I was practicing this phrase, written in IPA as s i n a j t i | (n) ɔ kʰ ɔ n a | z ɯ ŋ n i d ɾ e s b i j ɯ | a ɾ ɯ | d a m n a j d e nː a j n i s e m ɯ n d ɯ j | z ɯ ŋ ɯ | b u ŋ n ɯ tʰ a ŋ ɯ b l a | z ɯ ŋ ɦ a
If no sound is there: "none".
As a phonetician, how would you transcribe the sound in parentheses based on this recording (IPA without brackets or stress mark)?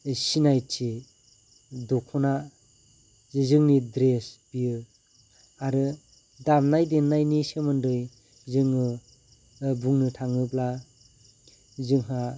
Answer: d